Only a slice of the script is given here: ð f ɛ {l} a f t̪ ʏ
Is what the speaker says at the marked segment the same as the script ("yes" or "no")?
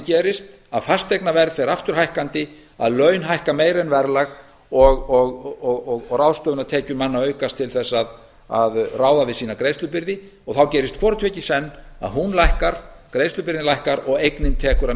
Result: no